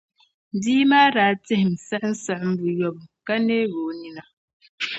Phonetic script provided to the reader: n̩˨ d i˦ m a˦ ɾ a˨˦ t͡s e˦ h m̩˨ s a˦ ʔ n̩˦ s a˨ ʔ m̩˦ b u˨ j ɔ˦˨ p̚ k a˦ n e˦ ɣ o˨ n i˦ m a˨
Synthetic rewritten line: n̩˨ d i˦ m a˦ ɾ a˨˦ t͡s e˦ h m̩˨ s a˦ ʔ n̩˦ s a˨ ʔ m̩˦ b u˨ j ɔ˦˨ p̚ k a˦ n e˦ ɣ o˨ n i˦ n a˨